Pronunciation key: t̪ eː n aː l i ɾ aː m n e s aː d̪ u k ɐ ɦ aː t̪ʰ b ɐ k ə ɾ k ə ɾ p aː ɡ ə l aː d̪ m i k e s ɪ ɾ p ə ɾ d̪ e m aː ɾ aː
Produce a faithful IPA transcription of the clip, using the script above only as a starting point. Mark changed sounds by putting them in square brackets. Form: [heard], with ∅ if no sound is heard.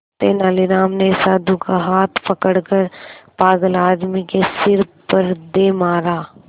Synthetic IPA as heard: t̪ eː n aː l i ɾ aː m n e s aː d̪ u k [a] ɦ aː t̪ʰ [p] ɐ k ə [ɽ] k ə ɾ p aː ɡ ə l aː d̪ m i k e s ɪ ɾ p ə ɾ d̪ e m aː ɾ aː